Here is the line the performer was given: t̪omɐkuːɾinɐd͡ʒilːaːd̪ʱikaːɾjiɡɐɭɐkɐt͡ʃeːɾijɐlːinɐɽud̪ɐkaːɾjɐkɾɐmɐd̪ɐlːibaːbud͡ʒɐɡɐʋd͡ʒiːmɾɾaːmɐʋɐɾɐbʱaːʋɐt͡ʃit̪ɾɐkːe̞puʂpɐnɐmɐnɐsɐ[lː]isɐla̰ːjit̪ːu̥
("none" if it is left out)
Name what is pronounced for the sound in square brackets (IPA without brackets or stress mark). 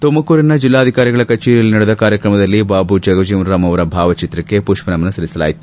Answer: l